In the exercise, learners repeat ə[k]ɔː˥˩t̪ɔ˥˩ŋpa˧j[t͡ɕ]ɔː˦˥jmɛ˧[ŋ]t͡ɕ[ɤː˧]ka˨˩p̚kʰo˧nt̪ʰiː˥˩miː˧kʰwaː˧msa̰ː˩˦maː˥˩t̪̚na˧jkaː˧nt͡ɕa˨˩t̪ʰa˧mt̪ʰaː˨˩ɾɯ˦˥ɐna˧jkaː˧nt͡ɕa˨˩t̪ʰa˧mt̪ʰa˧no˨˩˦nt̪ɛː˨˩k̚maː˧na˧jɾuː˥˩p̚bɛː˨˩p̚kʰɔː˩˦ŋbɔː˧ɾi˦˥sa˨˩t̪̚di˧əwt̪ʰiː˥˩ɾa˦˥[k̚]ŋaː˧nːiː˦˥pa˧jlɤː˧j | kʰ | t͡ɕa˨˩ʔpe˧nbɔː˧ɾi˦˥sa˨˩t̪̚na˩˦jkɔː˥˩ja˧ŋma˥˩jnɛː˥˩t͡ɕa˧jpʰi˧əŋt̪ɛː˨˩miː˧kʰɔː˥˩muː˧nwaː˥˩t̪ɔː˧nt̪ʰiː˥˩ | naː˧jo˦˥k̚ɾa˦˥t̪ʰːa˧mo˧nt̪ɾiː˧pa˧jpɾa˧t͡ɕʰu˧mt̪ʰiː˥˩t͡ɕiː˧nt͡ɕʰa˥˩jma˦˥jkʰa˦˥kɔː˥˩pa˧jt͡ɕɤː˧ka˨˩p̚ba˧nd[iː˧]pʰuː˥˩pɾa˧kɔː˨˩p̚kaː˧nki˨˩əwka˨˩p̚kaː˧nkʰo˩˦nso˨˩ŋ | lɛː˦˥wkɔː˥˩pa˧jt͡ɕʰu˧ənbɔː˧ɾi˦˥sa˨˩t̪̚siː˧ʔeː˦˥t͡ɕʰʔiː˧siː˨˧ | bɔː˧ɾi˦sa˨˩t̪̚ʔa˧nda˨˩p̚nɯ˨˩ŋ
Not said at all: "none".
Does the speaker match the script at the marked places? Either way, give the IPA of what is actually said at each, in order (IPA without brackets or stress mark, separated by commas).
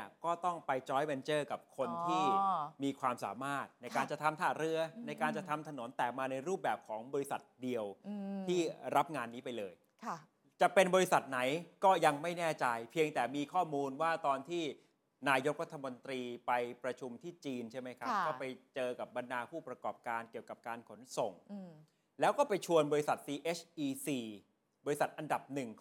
k, t͡ɕ, n, ɤː˥˩, p̚, aː˧